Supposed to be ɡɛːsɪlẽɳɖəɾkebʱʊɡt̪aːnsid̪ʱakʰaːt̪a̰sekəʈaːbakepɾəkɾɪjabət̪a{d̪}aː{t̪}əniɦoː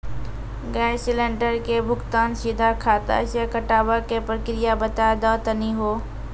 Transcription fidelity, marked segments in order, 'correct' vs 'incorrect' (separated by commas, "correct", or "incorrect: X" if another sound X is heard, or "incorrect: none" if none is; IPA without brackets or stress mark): correct, correct